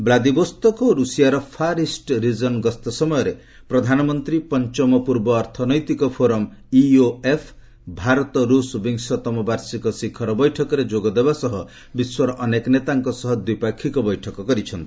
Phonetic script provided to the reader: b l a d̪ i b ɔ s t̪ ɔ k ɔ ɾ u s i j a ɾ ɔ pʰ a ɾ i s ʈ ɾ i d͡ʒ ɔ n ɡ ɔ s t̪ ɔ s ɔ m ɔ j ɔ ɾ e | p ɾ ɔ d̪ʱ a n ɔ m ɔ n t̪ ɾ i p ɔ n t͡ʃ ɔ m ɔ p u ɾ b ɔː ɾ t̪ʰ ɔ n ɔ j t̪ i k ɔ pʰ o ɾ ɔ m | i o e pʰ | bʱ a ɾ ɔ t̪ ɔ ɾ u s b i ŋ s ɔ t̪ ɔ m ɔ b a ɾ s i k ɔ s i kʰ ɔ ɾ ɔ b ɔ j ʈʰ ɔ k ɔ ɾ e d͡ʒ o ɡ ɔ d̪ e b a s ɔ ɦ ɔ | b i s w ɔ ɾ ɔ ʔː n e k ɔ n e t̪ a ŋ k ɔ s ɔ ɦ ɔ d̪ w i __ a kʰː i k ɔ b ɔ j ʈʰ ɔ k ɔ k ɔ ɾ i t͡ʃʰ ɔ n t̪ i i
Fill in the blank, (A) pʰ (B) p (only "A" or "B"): B